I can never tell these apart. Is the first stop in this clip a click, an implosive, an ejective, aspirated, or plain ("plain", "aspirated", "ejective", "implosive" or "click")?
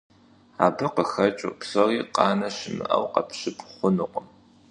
plain